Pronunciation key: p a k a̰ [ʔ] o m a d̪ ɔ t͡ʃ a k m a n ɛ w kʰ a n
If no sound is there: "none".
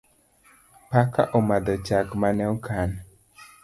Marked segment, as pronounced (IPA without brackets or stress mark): ʔ